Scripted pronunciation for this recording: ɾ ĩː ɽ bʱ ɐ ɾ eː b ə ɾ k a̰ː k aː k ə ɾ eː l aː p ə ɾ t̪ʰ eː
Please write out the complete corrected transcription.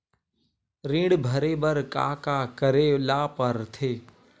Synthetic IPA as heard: ɾ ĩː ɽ bʱ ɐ ɾ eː b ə ɾ k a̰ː k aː k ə ɾ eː l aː p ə ɾ t̪ʰ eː